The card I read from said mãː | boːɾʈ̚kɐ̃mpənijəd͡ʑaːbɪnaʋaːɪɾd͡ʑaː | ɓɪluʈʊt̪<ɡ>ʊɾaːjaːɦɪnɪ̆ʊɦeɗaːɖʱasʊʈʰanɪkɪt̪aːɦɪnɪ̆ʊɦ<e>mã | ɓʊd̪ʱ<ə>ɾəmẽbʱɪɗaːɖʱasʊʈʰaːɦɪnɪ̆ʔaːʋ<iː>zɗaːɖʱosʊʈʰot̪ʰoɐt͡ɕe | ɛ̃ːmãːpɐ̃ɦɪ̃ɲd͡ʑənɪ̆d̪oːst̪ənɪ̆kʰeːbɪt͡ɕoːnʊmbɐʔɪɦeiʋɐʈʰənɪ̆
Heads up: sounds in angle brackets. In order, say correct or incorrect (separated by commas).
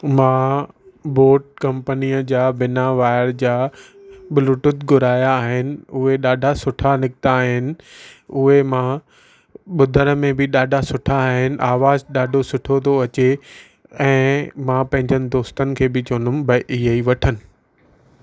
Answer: correct, correct, correct, incorrect